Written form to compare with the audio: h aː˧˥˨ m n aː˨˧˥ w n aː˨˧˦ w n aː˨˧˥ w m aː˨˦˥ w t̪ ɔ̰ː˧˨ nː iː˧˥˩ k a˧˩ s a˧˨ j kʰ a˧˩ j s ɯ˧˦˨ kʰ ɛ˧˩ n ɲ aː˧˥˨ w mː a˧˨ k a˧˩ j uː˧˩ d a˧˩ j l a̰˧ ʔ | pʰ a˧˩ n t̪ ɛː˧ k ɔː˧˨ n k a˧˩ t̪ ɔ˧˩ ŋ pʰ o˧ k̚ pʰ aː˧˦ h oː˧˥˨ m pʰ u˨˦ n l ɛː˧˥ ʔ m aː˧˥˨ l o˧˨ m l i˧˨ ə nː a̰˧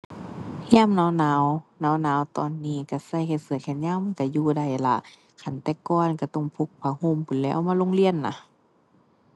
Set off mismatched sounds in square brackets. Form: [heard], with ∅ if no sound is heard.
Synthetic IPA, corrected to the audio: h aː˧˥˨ m n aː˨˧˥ w n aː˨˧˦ w n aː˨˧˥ w [n] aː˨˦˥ w t̪ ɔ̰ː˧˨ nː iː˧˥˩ k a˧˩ s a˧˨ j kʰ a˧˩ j s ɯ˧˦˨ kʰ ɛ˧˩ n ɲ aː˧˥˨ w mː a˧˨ k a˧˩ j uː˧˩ d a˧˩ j l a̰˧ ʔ | [kʰ] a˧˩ n t̪ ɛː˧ k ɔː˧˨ n k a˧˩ t̪ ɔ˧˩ ŋ pʰ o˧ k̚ pʰ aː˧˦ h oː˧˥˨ m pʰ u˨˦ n l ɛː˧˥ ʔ m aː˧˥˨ l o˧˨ [ŋ] l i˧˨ ə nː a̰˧